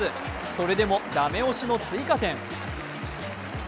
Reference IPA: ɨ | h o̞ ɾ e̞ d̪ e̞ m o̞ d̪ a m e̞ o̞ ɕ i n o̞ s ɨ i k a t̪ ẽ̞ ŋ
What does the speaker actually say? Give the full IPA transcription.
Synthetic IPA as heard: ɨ | s o̞ ɾ e̞ d̪ e̞ m o̞ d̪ a m e̞ o̞ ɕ i n o̞ t͡s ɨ i k a t̪ ẽ̞ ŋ